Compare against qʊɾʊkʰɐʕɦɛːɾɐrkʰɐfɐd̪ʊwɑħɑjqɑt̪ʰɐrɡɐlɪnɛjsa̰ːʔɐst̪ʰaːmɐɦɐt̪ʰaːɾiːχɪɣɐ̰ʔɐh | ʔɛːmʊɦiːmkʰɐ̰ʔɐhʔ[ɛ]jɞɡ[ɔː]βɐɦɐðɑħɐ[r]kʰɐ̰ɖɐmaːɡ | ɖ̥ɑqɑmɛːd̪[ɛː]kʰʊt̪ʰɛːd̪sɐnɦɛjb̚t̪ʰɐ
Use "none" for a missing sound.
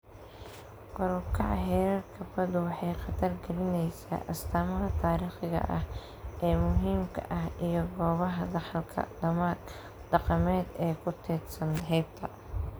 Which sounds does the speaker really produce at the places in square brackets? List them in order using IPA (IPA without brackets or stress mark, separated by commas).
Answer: i, ɔː, l, ɛː